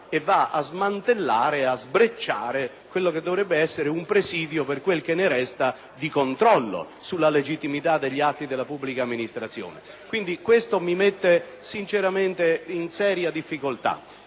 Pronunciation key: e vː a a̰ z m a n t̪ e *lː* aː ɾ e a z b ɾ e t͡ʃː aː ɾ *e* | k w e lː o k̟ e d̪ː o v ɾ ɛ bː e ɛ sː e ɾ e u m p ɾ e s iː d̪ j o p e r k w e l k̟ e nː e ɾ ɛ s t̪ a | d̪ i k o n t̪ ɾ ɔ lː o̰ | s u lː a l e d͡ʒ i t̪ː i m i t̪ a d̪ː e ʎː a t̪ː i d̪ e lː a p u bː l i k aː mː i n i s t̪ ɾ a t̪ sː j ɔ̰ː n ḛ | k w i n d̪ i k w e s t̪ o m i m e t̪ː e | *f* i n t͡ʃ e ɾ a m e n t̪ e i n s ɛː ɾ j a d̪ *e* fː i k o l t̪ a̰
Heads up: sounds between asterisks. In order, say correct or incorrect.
correct, correct, incorrect, incorrect

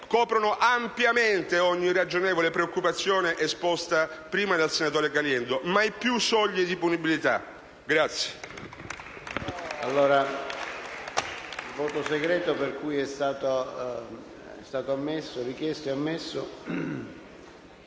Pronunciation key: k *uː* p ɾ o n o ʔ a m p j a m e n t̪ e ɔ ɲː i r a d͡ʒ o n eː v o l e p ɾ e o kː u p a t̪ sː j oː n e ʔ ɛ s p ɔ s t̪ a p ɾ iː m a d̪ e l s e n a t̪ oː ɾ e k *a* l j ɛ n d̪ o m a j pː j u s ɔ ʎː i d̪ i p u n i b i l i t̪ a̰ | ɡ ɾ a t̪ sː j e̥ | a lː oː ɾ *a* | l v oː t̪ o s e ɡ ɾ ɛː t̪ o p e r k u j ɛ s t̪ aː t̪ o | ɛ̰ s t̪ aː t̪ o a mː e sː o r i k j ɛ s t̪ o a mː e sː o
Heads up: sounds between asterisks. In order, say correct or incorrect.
incorrect, correct, correct

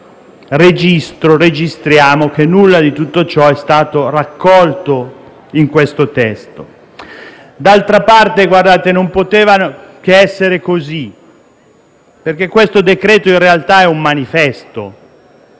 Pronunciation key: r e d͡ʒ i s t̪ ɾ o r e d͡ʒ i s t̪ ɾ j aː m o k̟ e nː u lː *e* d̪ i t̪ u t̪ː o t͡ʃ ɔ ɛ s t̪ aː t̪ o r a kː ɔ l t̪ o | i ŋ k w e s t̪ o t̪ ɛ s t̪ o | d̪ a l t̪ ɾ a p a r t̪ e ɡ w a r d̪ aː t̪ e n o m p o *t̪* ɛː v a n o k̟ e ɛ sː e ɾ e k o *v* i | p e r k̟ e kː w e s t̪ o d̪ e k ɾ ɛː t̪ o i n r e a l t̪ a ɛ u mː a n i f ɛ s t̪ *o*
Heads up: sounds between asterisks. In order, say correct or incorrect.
incorrect, correct, incorrect, correct

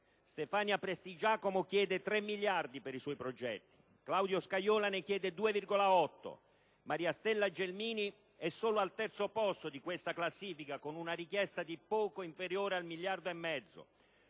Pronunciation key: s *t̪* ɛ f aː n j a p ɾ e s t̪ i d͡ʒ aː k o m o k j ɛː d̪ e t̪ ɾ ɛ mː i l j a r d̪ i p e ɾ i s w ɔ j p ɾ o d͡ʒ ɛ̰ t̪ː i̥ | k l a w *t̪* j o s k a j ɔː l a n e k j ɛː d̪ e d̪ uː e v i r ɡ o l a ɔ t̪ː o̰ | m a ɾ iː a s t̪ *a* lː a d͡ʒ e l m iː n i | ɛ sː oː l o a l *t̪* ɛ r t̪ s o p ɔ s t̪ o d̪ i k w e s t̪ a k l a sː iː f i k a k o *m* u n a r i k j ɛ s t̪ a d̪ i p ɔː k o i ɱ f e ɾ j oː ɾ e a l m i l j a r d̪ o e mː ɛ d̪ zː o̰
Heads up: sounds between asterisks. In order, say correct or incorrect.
correct, incorrect, incorrect, correct, incorrect

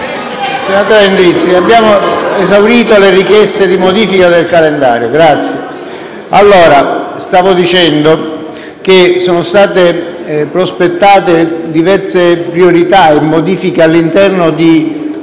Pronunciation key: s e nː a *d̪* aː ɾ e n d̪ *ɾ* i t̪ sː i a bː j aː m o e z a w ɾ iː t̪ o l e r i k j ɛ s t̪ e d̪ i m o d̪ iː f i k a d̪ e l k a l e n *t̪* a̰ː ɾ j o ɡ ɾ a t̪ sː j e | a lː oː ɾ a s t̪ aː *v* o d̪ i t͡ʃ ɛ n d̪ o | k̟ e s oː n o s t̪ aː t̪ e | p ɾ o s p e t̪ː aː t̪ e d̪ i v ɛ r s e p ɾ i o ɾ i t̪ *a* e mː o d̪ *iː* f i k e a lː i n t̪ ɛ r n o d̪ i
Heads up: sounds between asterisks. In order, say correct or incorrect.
incorrect, correct, incorrect, correct, correct, correct

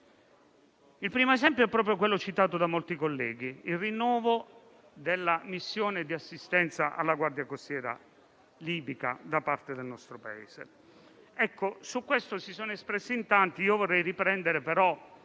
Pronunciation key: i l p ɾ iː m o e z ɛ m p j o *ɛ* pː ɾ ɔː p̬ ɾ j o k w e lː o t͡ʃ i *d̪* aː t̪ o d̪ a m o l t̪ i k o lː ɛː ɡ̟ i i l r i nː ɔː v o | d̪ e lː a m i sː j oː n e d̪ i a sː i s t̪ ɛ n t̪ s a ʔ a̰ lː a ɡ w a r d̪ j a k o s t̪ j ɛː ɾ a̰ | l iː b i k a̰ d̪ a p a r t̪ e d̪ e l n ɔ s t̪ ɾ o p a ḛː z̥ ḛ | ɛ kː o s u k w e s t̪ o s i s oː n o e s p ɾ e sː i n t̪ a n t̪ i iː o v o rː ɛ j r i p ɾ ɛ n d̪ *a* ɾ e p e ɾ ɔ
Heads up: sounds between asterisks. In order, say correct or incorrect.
correct, incorrect, incorrect

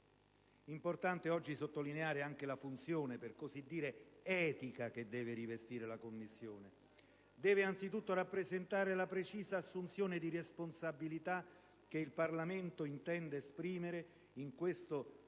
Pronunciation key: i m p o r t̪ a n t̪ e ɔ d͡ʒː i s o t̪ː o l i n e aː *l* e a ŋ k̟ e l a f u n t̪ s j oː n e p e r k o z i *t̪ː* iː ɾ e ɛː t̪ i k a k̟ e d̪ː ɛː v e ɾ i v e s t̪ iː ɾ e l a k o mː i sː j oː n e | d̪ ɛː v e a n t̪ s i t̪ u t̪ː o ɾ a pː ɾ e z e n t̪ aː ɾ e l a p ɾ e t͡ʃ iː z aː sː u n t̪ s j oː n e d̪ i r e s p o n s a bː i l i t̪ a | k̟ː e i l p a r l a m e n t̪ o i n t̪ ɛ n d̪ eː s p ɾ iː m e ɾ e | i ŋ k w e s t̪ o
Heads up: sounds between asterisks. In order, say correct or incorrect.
incorrect, incorrect

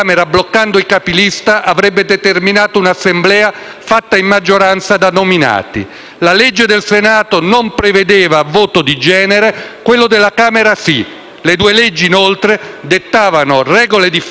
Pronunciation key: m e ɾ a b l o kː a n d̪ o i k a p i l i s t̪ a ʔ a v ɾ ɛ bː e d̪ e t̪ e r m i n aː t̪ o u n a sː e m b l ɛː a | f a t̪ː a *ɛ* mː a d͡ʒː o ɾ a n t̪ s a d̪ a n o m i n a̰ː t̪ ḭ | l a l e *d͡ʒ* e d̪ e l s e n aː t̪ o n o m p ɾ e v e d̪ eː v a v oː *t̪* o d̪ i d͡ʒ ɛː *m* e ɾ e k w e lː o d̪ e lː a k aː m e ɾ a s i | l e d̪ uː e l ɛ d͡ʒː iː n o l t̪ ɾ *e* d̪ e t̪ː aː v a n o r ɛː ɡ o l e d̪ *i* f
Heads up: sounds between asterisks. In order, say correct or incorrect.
incorrect, incorrect, correct, incorrect, correct, correct

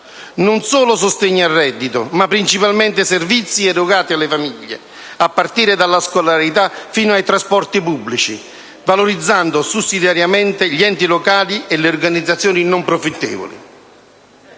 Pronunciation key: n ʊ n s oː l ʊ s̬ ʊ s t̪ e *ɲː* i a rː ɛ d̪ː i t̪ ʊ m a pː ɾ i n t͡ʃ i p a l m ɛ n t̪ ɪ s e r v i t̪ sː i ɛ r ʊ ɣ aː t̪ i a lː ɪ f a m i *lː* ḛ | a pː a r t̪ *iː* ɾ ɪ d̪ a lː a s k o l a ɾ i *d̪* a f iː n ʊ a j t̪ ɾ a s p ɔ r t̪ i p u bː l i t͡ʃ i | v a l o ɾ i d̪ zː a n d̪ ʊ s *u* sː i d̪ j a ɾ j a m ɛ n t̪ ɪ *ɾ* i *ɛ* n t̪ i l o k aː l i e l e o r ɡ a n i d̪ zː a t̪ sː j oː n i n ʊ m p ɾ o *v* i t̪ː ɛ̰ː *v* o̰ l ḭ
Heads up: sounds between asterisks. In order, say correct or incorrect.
correct, incorrect, correct, incorrect, correct, incorrect, correct, incorrect, correct

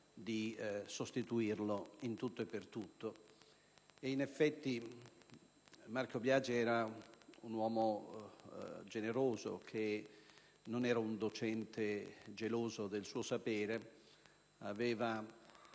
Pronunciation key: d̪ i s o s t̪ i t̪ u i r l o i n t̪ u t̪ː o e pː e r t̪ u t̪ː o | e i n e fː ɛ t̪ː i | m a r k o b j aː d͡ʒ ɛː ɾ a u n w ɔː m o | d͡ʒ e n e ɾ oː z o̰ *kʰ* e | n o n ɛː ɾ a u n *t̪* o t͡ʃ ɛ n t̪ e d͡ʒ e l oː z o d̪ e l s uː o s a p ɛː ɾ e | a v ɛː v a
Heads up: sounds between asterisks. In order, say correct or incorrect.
correct, incorrect

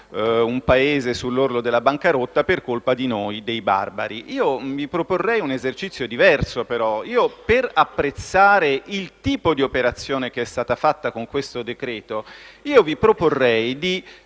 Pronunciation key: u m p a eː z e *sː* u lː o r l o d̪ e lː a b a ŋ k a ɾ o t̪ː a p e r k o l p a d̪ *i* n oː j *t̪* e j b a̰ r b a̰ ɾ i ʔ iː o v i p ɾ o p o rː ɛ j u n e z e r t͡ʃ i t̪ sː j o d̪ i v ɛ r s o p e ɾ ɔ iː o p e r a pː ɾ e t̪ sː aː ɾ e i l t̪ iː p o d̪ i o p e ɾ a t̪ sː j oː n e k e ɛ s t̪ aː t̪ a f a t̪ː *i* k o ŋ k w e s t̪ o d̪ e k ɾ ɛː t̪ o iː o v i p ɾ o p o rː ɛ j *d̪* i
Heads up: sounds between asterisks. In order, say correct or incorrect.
incorrect, correct, incorrect, incorrect, correct

